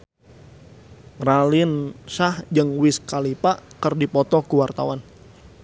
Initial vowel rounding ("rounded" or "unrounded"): unrounded